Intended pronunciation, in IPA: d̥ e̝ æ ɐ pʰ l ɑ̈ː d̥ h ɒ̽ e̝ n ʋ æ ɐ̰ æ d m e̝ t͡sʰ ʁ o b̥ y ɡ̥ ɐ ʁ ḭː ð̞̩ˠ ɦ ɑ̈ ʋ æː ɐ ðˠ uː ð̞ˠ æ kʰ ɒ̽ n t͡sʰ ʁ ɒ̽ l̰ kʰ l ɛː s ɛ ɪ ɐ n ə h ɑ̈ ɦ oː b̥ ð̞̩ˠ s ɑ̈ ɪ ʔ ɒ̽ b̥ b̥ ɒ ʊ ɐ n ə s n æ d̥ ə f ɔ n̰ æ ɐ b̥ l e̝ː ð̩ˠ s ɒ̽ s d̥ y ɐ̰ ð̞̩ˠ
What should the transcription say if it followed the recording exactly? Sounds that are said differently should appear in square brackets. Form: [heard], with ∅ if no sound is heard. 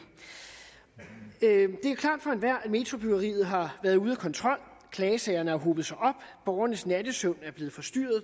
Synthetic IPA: d̥ e̝ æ ɐ [kʰ] l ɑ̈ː d̥ [f] ɒ̽ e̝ n ʋ æ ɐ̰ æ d m e̝ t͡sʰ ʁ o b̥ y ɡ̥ ɐ ʁ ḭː ð̞̩ˠ ɦ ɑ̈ ʋ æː ɐ ðˠ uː ð̞ˠ æ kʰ ɒ̽ n t͡sʰ ʁ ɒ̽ l̰ kʰ l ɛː s ɛ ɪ ɐ n ə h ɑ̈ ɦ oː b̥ ð̞̩ˠ s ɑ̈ ɪ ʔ ɒ̽ b̥ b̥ ɒ ʊ ɐ n ə s n æ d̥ ə [s] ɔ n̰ æ ɐ b̥ l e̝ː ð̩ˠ [f] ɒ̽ s d̥ y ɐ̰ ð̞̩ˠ